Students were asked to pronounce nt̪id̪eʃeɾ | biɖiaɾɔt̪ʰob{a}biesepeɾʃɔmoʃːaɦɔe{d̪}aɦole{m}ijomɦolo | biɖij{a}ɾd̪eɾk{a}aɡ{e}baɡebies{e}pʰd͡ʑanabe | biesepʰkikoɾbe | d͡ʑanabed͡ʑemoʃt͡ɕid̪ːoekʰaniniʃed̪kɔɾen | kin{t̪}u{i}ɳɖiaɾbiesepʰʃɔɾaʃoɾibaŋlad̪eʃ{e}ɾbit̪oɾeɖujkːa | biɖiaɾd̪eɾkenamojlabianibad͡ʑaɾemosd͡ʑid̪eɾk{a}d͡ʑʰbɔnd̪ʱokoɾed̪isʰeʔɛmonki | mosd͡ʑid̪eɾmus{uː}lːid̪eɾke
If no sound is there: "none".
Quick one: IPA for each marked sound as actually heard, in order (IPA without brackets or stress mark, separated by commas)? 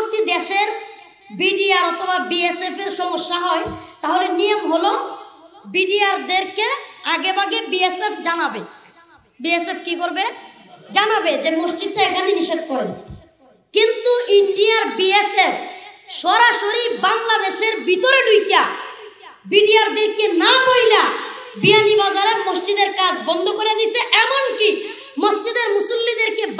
a, t̪, n, a, e, e, e, t̪, i, e, a, u